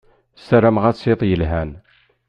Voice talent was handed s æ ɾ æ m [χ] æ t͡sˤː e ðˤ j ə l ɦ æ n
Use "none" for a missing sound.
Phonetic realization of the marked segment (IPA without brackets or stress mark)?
ʁ